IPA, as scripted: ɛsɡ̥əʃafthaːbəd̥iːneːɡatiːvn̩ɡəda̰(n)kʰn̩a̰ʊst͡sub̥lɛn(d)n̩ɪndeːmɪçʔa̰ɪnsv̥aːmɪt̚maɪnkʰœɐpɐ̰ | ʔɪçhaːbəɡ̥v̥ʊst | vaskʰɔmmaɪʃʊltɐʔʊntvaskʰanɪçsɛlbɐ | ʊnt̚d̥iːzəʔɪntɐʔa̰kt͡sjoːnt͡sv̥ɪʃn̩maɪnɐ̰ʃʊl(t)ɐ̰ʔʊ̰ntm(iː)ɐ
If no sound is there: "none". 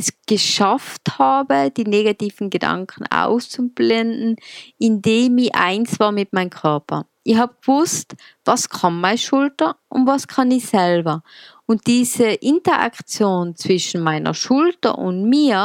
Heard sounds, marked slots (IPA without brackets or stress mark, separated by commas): ŋ, d, t, iː